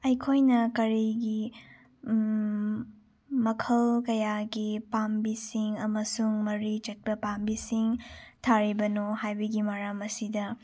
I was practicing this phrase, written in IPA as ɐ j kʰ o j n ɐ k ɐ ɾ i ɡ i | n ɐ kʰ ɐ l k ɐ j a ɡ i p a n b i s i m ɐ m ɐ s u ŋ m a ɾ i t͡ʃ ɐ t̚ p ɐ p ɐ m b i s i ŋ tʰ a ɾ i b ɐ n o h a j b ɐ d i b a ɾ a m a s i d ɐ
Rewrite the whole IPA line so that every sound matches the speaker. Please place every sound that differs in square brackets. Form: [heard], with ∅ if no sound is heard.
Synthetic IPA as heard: ɐ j kʰ o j n ɐ k ɐ ɾ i ɡ i | [m] ɐ kʰ ɐ l k ɐ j a ɡ i p a [m] b i s i [ŋ] ɐ m ɐ s u ŋ m [ɐ] ɾ i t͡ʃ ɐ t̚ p ɐ p [a] m b i s i ŋ tʰ a ɾ i b ɐ n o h a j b ɐ [ɡ] i [m] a ɾ a m [ɐ] s i d ɐ